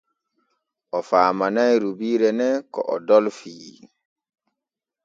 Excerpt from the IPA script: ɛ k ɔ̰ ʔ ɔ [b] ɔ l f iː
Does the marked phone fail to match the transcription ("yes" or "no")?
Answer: yes